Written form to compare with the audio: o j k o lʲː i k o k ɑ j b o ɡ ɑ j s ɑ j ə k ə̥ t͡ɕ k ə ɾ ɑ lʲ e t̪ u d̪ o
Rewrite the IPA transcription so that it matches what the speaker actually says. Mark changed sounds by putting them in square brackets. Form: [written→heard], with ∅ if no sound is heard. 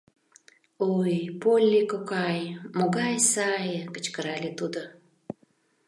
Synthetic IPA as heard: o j [k→p] o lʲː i k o k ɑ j [b→m] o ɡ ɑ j s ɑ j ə k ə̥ t͡ɕ k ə ɾ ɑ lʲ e t̪ u d̪ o